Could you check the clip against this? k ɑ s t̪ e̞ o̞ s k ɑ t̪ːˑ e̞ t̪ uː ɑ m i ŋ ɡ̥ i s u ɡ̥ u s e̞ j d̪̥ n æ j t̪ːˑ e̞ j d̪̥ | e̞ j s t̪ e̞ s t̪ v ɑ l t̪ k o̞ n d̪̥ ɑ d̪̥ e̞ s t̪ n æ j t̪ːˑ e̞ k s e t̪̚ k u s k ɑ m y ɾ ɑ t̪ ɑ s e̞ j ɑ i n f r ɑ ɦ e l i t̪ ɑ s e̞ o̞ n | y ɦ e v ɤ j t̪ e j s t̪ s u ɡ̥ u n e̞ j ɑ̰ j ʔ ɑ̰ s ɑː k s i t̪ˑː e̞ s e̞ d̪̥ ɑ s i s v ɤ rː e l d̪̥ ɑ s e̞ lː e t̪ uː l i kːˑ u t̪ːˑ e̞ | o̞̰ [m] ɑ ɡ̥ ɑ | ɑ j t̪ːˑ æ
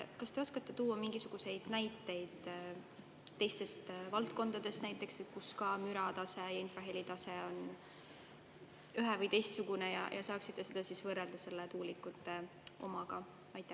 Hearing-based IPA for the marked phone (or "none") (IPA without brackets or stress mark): m